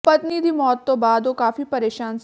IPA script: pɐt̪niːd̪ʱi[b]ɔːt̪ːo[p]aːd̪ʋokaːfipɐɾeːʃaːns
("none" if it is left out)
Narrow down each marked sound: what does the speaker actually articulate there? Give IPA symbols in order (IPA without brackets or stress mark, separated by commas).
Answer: m, b